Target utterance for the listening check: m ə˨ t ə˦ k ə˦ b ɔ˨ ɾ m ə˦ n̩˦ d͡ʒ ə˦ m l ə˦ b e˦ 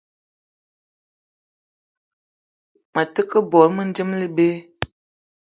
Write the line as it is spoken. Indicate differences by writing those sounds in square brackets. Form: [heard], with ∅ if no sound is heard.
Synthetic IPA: m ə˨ t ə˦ k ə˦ b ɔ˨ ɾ m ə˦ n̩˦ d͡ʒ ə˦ m l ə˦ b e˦

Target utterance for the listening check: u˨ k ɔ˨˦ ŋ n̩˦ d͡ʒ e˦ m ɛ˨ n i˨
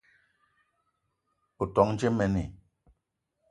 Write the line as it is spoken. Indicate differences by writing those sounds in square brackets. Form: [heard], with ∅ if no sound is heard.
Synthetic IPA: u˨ [t] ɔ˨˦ ŋ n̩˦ d͡ʒ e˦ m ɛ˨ n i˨

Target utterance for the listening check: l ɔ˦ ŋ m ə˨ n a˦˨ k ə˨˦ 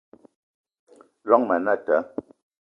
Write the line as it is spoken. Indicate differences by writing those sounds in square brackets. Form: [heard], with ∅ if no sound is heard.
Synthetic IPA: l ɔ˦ ŋ m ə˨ n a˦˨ [t] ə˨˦

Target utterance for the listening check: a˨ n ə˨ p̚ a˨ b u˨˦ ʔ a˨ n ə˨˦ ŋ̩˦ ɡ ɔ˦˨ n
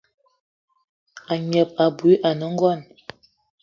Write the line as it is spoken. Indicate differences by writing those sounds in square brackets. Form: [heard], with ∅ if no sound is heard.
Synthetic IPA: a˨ [ɲ] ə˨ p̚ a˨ b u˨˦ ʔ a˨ n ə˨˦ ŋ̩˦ ɡ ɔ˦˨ n

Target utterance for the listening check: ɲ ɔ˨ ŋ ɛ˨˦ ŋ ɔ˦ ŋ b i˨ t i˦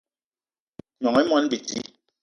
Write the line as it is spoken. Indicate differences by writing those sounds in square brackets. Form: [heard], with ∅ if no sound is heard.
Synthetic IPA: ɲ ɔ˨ ŋ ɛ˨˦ [m] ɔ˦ [n] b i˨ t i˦

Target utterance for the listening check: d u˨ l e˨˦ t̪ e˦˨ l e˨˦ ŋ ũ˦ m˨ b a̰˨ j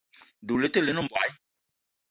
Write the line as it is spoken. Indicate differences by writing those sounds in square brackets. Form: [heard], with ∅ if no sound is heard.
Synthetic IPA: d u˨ l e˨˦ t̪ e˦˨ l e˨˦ [n] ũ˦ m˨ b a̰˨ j

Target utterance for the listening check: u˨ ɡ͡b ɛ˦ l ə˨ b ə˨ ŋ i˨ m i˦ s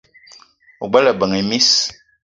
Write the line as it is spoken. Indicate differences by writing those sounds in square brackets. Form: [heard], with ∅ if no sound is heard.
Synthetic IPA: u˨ ɡ͡b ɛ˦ l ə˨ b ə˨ ŋ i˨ m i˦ s

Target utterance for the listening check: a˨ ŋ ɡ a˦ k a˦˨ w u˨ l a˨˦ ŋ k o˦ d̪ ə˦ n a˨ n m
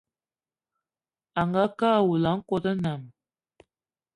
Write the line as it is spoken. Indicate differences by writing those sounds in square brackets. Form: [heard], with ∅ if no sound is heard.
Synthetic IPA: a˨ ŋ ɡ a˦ k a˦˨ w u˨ l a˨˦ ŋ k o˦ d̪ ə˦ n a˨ [∅] m

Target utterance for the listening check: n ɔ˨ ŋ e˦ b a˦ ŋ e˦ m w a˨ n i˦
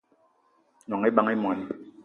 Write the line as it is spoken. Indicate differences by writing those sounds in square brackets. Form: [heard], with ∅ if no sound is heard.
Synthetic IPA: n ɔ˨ ŋ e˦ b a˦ ŋ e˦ m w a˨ n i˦

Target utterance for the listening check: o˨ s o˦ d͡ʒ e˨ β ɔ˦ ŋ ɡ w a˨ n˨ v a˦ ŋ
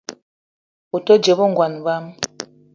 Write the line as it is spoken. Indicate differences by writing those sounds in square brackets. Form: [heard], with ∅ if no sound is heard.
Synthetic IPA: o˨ [t] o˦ d͡ʒ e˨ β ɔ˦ ŋ ɡ w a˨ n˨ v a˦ [m]

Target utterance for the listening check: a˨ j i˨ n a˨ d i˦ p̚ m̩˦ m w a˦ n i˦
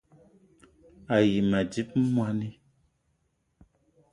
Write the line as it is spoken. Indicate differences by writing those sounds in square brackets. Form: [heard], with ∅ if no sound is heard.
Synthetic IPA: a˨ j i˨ [m] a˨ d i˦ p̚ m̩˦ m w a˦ n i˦

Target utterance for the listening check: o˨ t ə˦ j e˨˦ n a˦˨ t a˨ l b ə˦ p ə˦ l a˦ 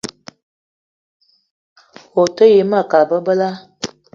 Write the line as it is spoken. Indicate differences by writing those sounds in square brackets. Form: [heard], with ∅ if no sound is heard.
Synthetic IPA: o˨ t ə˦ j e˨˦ [m] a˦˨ [k] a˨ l b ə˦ [b] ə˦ l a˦

